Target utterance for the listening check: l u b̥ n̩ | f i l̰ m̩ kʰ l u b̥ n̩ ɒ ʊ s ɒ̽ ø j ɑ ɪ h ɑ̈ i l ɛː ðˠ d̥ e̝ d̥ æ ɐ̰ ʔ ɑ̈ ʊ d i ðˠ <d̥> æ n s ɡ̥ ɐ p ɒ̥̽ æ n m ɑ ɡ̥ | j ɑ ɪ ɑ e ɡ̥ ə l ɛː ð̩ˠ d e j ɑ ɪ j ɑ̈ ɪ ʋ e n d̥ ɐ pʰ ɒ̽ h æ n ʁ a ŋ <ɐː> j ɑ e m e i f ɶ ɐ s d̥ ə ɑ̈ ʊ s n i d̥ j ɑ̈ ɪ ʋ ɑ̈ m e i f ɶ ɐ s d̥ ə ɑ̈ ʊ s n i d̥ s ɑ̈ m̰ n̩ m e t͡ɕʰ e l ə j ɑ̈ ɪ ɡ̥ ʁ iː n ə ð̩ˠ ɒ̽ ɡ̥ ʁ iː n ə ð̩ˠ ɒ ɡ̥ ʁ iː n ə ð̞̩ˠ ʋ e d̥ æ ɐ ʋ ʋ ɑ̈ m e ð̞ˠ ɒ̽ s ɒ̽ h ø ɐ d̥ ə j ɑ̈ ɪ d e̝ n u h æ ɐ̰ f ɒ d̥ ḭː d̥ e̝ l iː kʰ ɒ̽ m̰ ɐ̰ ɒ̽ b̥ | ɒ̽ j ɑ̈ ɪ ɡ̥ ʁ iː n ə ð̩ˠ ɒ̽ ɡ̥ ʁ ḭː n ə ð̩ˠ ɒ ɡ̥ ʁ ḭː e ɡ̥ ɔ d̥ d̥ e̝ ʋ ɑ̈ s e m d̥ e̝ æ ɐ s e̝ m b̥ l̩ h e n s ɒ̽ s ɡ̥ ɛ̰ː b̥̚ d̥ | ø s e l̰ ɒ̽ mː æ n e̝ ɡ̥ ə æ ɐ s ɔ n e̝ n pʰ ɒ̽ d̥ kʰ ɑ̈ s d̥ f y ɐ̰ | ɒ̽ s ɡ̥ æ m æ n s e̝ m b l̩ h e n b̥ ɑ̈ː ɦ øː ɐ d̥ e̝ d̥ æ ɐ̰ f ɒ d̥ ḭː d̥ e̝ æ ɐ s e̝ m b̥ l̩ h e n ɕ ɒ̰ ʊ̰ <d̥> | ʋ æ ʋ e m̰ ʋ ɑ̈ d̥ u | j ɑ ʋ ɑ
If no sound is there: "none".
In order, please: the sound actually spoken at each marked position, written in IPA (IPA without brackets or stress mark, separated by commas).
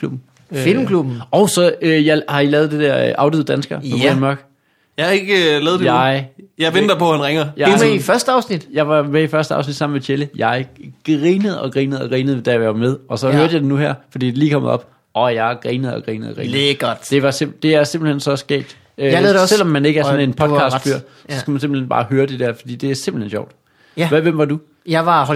d̥, ɐ, d̥